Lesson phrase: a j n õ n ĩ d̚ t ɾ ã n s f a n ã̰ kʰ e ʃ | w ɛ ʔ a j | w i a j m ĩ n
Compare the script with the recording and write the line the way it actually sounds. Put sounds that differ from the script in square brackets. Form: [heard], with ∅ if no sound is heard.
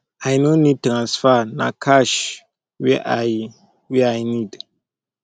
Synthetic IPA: a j n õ n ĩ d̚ t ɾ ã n s f a n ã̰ kʰ [a] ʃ | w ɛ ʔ a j | w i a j [n] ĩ [d]